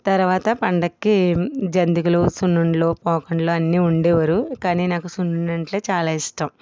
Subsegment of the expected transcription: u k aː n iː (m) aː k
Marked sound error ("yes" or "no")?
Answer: yes